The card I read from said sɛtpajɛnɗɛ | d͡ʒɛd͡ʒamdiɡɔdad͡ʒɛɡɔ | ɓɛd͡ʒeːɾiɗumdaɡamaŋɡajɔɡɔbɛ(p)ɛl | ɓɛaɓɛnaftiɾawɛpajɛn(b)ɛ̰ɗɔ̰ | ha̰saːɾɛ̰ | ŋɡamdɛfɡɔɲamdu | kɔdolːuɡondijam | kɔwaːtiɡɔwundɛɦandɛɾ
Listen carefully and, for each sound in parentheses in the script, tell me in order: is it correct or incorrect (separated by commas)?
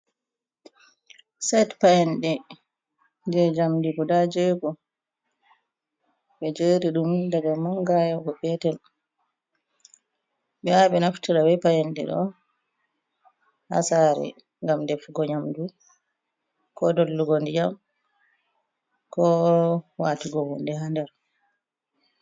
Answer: incorrect, incorrect